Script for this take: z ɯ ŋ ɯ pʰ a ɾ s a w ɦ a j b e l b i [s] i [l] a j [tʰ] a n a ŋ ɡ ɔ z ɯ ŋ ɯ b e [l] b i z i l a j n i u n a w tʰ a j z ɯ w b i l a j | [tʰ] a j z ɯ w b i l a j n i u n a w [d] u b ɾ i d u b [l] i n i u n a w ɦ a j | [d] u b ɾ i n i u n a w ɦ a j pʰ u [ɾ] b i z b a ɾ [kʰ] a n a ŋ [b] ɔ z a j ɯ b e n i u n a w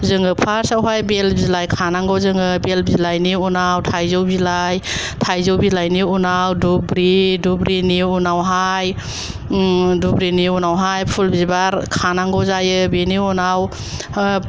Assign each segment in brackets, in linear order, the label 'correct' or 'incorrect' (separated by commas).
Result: incorrect, correct, incorrect, correct, correct, correct, incorrect, correct, incorrect, correct, incorrect